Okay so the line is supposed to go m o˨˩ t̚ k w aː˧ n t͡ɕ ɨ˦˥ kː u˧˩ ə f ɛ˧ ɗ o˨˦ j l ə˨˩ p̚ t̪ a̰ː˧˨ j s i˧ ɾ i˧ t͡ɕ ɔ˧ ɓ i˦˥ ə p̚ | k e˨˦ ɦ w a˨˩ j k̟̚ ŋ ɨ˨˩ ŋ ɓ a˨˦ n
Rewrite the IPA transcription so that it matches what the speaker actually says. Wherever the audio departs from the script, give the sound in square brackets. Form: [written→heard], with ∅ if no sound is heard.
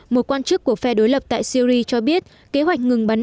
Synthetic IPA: m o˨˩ t̚ k w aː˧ n t͡ɕ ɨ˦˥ kː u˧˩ ə f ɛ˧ ɗ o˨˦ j l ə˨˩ p̚ t̪ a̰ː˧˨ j s i˧ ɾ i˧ t͡ɕ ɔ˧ ɓ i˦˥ ə [p̚→t̚] | k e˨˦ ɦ w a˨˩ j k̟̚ ŋ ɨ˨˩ ŋ ɓ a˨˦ n